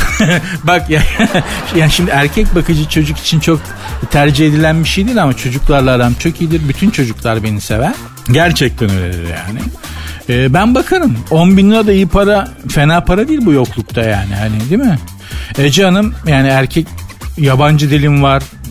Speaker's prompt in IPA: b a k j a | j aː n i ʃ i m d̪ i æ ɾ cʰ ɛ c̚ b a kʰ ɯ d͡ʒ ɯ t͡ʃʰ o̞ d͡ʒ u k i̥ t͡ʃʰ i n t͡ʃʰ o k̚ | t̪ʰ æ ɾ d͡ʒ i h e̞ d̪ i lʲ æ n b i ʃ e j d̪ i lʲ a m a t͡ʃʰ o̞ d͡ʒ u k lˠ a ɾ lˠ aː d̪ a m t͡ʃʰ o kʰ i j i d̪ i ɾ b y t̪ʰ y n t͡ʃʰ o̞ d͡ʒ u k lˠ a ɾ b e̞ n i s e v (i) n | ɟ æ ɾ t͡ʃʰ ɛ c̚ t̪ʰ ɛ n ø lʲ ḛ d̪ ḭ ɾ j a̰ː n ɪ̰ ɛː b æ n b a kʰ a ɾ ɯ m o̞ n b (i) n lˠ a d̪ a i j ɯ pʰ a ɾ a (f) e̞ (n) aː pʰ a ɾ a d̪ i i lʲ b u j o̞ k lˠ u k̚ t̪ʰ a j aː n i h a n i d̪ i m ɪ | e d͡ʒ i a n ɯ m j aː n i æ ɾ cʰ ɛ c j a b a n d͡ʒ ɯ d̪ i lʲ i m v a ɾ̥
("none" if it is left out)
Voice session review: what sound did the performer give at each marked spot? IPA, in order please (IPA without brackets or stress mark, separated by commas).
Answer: æ, i, f, n